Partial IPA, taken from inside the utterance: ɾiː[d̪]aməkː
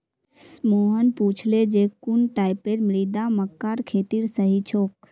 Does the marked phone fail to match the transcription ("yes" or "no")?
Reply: no